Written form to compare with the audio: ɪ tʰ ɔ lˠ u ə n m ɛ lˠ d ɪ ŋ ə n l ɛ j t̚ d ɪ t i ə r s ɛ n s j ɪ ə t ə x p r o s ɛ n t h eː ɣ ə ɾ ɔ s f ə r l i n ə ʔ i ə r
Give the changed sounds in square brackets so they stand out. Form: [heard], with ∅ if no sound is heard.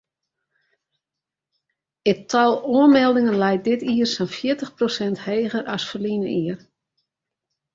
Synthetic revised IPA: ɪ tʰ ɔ lˠ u ə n m ɛ lˠ d ɪ ŋ ə n l ɛ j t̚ d ɪ t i ə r s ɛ n [f] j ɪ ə t ə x p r o s ɛ n t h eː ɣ ə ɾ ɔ s f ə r l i n ə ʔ i ə r